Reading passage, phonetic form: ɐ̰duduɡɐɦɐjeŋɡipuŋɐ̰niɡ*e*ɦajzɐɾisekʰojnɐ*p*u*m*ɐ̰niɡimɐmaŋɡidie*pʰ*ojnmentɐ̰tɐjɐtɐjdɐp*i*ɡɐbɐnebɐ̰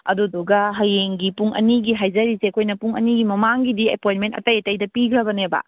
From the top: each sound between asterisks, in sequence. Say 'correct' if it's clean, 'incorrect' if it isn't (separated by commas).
incorrect, correct, incorrect, incorrect, correct